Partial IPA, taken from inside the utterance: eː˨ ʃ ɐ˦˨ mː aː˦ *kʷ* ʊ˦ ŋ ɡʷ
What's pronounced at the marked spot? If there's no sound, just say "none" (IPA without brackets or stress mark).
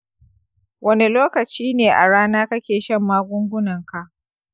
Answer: ɡʷ